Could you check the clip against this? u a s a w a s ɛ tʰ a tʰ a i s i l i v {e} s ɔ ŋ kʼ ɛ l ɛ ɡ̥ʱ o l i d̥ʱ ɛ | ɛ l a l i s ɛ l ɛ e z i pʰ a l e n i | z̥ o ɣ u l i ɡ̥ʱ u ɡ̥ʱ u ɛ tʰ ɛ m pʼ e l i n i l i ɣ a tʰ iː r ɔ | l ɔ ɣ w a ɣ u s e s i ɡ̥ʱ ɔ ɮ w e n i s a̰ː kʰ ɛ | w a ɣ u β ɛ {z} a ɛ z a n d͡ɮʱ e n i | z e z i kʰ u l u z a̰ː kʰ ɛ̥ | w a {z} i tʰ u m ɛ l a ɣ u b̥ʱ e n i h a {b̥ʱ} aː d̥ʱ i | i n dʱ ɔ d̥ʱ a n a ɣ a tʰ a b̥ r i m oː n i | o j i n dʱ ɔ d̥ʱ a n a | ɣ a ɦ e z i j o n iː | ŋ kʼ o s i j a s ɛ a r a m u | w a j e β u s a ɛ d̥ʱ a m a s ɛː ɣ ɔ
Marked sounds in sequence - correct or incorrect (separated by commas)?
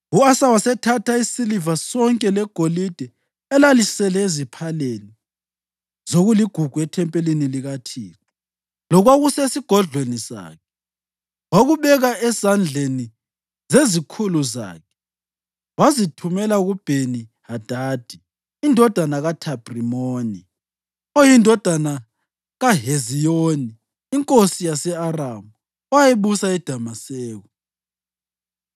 incorrect, incorrect, correct, incorrect